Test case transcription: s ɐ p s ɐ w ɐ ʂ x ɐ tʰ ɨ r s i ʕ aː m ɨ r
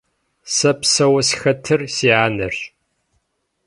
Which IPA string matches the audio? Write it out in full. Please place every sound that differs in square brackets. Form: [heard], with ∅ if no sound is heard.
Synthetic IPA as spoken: s ɐ p s ɐ w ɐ [s] x ɐ tʰ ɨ r s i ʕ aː [n] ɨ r